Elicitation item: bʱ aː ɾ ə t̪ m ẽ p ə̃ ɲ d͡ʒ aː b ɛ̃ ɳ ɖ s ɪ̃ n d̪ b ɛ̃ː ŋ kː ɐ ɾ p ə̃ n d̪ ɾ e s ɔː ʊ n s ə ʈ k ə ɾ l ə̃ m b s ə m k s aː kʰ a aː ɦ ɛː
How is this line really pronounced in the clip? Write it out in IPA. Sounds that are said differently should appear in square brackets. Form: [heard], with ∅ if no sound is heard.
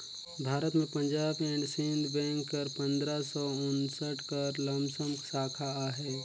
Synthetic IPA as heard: bʱ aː ɾ ə t̪ m ẽ p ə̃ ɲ d͡ʒ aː b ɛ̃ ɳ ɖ s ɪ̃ n d̪ b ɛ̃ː ŋ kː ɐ ɾ p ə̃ n d̪ ɾ [a] s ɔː ʊ n s ə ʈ k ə ɾ l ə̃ m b s ə m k s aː kʰ a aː ɦ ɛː